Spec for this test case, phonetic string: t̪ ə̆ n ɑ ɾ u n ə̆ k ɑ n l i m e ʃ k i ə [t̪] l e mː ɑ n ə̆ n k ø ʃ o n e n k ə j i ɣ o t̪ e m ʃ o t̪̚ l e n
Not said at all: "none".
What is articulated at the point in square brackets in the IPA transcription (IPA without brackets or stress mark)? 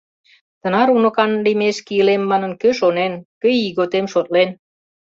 none